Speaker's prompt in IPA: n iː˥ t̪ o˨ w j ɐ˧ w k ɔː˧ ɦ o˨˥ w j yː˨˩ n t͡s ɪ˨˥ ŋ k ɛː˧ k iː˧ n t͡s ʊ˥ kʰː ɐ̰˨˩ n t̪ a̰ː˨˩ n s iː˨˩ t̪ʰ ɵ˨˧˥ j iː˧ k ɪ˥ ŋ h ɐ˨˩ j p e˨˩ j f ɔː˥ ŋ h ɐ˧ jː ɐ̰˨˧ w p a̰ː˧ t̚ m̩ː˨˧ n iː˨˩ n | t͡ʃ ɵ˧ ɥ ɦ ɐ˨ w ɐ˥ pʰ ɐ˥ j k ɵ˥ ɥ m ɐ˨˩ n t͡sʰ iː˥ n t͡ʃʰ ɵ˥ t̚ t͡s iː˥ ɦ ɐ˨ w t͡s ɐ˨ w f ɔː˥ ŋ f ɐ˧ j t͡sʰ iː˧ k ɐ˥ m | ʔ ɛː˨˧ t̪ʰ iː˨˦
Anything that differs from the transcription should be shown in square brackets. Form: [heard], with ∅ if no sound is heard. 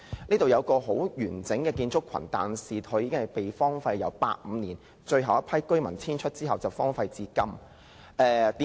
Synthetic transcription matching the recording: n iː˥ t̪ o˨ w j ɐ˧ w k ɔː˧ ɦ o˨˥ w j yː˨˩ n t͡s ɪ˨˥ ŋ k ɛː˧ k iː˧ n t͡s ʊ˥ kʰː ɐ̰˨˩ n t̪ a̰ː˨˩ n s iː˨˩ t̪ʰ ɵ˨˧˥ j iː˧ k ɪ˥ ŋ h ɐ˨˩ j p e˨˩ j f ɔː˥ ŋ [f] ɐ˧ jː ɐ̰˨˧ w p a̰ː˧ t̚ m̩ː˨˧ n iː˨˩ n | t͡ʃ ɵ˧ ɥ ɦ ɐ˨ w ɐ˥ pʰ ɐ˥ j k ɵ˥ ɥ m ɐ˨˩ n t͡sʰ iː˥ n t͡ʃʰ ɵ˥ t̚ t͡s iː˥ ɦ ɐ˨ w t͡s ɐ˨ w f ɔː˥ ŋ f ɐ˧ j [t͡s] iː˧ k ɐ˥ m | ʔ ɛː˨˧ [t̪] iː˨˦